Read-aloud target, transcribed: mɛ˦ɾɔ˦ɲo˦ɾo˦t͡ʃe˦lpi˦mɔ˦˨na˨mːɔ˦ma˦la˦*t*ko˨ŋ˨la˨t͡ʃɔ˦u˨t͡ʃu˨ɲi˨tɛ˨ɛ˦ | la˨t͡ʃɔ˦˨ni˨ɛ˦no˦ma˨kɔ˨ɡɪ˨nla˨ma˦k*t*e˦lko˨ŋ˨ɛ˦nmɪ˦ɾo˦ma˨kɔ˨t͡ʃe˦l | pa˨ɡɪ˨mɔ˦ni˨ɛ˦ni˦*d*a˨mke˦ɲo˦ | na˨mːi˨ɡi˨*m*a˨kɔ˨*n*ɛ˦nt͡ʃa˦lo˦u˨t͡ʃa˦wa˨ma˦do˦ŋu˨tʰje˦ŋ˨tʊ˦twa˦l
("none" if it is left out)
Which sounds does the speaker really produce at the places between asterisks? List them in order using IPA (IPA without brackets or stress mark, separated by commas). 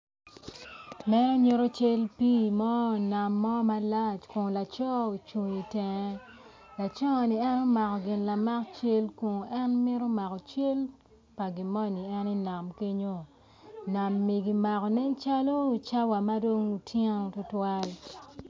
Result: t͡ʃ, t͡ʃ, n, m, n